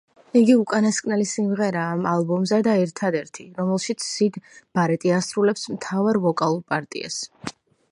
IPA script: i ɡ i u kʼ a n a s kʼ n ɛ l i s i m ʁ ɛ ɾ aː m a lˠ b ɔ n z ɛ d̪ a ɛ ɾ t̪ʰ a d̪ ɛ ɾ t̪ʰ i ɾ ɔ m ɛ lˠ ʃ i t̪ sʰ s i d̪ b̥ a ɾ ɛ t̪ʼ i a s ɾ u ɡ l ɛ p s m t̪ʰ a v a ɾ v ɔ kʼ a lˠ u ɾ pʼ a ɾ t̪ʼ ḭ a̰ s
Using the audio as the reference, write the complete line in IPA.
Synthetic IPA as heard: i ɡ i u kʼ a n a s kʼ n ɛ l i s i m ʁ ɛ ɾ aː m a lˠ b ɔ m z ɛ d̪ a ɛ ɾ t̪ʰ a d̪ ɛ ɾ t̪ʰ i ɾ ɔ m ɛ lˠ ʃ i t̪ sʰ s i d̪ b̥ a ɾ ɛ t̪ʼ i a s ɾ u l ɛ p s m t̪ʰ a v a ɾ v ɔ kʼ a lˠ u ɾ pʼ a ɾ t̪ʼ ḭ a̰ s

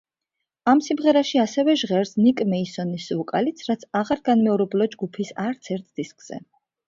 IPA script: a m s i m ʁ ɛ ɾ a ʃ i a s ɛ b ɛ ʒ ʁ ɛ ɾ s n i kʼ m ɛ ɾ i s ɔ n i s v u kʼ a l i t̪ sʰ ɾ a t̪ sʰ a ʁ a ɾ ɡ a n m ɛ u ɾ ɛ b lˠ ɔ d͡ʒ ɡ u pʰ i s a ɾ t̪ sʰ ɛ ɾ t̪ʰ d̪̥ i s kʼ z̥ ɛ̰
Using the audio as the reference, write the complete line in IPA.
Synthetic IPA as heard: a m s i m ʁ ɛ ɾ a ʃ i a s ɛ v ɛ ʒ ʁ ɛ ɾ s n i kʼ m ɛ i s ɔ n i s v u kʼ a l i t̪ sʰ ɾ a t̪ sʰ a ʁ a ɾ ɡ a n m ɛ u ɾ ɛ b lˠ ɔ d͡ʒ ɡ u pʰ i s a ɾ t̪ sʰ ɛ ɾ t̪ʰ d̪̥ i s kʼ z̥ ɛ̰

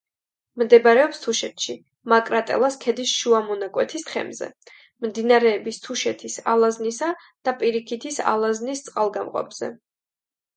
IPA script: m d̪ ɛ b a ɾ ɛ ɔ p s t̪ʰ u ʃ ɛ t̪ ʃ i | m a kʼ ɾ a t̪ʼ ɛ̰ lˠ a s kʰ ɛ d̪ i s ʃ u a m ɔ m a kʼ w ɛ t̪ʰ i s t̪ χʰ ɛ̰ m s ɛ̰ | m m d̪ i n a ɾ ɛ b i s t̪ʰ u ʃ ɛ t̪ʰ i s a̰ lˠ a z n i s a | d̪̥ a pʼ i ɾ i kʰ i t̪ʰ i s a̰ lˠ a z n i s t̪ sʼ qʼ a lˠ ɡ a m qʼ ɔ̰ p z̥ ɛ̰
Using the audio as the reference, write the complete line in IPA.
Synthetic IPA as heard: m d̪ ɛ b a ɾ ɛ ɔ p s t̪ʰ u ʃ ɛ t̪ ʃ i | m a kʼ ɾ a t̪ʼ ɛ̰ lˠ a s kʰ ɛ d̪ i s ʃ u a m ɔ n a kʼ w ɛ t̪ʰ i s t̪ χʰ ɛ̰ m z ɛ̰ | m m d̪ i n a ɾ ɛː b i s t̪ʰ u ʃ ɛ t̪ʰ i s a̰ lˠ a z n i s a | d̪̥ a pʼ i ɾ i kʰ i t̪ʰ i s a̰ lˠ a z n i s t̪ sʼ qʼ a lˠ ɡ a m qʼ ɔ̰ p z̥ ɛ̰

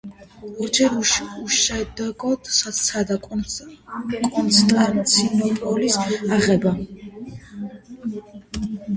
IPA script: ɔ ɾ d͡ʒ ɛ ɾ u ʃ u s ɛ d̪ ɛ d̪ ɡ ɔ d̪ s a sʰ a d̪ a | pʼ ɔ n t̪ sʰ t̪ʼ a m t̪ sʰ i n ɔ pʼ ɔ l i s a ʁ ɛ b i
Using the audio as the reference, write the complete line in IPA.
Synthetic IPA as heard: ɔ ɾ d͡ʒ ɛ ɾ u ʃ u ʃ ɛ d̪ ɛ ɡ ɔ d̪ s a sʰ a d̪ a | kʼ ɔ n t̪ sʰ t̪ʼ a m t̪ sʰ i n ɔ pʼ ɔ l i s a ʁ ɛ b a

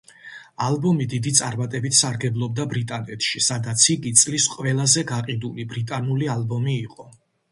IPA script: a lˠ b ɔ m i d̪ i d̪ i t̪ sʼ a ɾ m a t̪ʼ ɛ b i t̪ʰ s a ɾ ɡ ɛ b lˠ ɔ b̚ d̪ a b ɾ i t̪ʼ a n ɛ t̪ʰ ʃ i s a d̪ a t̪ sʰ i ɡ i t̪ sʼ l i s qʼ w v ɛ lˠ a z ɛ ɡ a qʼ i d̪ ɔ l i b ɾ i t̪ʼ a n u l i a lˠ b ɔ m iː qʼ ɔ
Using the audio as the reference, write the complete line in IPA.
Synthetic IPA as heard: a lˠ b ɔ m i d̪ i d̪ i t̪ sʼ a ɾ m a t̪ʼ ɛ b i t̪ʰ s a ɾ ɡ ɛ b lˠ ɔ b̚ d̪ a b ɾ i t̪ʼ a n ɛ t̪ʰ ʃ i s a d̪ a t̪ sʰ i ɡ i t̪ sʼ l i s qʼ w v ɛ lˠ a z ɛ ɡ a qʼ i d̪ u l i b ɾ i t̪ʼ a n u l i a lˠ b ɔ m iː qʼ ɔ

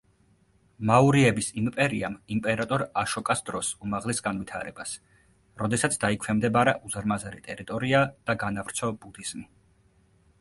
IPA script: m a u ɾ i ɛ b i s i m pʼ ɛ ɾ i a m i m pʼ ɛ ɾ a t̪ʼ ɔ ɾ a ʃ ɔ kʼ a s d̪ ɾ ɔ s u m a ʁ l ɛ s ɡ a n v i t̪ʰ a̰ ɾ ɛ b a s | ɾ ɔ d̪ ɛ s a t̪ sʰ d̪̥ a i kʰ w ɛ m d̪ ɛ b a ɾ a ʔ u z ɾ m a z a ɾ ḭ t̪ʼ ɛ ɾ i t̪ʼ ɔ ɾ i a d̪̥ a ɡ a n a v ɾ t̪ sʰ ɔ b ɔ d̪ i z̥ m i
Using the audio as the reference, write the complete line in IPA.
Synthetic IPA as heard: m a u ɾ i ɛ b i s i m pʼ ɛ ɾ i a m i m pʼ ɛ ɾ a t̪ʼ ɔ ɾ a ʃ ɔ kʼ a s d̪ ɾ ɔ s u m a ʁ l ɛ s ɡ a n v i t̪ʰ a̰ ɾ ɛ b a s | ɾ ɔ d̪ ɛ s a t̪ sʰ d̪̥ a i kʰ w ɛ m d̪ ɛ b a ɾ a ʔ u z ɾ m a z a ɾ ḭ t̪ʼ ɛ ɾ i t̪ʼ ɔ ɾ i a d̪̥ a ɡ a n a v ɾ t̪ sʰ ɔ b u d̪ i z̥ m i

